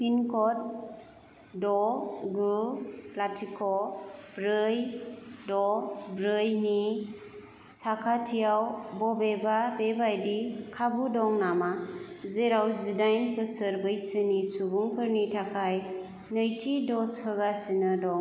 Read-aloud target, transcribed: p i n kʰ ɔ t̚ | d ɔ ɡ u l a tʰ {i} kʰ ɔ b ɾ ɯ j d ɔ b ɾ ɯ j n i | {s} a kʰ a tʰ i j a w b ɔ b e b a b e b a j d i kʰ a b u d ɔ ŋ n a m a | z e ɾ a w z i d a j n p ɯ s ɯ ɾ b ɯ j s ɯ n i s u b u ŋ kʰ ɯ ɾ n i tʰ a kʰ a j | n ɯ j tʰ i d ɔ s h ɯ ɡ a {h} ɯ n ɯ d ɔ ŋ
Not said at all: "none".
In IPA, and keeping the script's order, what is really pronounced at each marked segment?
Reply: i, s, s

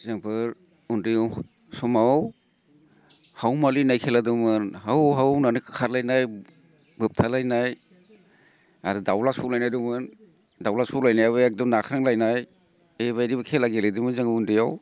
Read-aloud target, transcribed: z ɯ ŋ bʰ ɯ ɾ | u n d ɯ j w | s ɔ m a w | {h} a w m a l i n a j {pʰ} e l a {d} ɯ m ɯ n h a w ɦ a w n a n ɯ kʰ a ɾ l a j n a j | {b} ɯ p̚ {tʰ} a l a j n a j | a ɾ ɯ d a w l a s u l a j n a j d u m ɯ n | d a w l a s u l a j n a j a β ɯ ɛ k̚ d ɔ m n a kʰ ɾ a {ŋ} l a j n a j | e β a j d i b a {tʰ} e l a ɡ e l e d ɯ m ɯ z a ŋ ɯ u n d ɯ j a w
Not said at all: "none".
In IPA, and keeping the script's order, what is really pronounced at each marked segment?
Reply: h, kʰ, d, b, tʰ, ŋ, kʰ

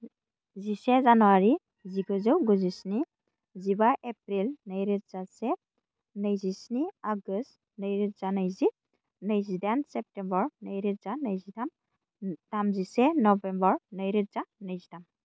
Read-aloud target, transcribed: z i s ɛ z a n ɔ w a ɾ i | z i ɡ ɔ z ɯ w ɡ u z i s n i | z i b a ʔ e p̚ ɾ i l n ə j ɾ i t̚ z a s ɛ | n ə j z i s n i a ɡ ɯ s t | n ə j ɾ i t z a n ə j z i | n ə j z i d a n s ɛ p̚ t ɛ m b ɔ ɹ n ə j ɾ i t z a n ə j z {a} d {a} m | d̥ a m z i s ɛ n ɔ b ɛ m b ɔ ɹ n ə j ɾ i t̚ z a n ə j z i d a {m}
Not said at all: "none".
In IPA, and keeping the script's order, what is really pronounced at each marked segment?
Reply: i, a, m

